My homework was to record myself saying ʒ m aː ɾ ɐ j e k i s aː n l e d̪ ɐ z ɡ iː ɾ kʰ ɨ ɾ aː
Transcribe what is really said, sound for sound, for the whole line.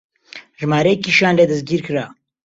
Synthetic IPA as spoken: ʒ m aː ɾ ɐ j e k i ʃ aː n l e d̪ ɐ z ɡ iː ɾ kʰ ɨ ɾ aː